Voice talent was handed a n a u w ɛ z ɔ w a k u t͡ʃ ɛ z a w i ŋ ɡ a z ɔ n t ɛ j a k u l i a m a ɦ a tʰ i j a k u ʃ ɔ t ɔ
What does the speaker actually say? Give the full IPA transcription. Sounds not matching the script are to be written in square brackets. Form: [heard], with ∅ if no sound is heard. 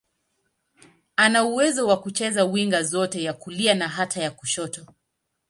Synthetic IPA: a n a u w ɛ z ɔ w a k u t͡ʃ ɛ z a w i ŋ ɡ a z ɔ [∅] t ɛ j a k u l i a [n] a ɦ a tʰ [a] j a k u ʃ ɔ t ɔ